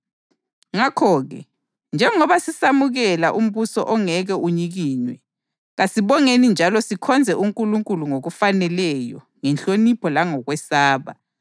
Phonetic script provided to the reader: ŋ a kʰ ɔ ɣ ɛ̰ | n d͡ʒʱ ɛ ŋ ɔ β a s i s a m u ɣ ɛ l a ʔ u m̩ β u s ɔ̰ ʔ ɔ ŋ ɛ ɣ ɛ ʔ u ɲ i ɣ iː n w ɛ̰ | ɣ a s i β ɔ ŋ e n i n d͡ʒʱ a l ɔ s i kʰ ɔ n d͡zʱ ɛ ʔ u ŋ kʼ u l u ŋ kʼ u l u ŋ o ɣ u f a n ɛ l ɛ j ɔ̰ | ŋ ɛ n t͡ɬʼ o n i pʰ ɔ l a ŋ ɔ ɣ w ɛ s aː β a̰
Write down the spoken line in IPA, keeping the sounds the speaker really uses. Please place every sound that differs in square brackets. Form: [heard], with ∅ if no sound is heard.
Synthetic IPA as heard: ŋ a kʰ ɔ ɣ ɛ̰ | n d͡ʒʱ ɛ ŋ ɔ β a s i s a m u ɣ ɛ l a ʔ u m̩ β u s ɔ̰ ʔ ɔ ŋ ɛ ɣ ɛ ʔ u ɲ i ɣ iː n w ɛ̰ | ɣ a s i β ɔ ŋ e n i n d͡ʒʱ a l ɔ s i kʰ ɔ n d͡zʱ ɛ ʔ u ŋ kʼ u l u ŋ kʼ u l u ŋ o ɣ u f a n ɛ l ɛ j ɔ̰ | ŋ ɛ n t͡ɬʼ o n i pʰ ɔ l a ŋ ɔ ɣ w ɛ s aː β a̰